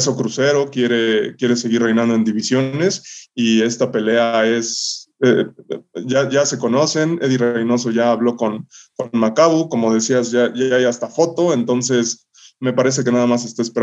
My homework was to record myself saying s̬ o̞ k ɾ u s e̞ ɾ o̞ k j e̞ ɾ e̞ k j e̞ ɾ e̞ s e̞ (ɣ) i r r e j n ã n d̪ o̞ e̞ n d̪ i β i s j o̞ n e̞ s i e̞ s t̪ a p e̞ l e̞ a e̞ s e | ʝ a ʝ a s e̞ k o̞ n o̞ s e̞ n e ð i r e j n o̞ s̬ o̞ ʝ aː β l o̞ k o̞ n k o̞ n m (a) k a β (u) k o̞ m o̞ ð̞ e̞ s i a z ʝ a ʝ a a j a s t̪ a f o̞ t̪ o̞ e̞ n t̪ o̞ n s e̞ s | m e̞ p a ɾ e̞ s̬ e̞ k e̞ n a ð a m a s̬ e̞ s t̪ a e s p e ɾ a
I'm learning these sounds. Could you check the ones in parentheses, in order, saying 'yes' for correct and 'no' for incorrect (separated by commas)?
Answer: yes, yes, yes